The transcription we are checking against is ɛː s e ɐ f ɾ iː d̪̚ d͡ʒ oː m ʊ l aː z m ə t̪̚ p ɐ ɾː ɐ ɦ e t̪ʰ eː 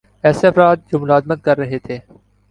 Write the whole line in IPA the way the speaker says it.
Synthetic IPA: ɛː s e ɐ f ɾ aː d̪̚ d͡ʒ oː m ʊ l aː z m ə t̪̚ k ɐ ɾː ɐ ɦ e t̪ʰ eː